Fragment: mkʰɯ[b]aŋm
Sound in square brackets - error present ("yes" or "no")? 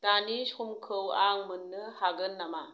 yes